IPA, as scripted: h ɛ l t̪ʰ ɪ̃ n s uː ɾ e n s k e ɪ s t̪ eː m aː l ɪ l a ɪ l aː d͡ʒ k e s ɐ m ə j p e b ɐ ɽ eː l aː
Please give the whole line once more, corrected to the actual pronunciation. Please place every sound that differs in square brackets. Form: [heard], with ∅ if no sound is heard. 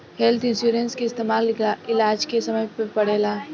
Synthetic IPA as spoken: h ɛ l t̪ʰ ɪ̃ n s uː ɾ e n s k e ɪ s t̪ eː m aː l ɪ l a ɪ l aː d͡ʒ k e s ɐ m ə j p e [p] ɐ ɽ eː l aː